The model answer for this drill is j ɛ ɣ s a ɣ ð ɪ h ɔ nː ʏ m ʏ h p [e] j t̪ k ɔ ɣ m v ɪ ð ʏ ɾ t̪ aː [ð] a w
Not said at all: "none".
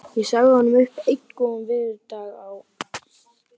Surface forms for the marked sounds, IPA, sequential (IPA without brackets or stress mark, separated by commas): e, ɣ